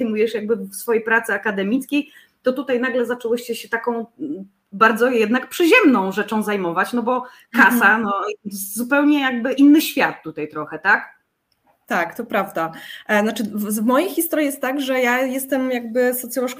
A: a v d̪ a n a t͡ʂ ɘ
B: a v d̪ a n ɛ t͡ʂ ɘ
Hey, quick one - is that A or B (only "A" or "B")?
A